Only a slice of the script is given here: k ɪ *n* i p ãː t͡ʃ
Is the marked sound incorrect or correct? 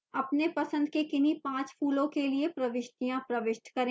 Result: correct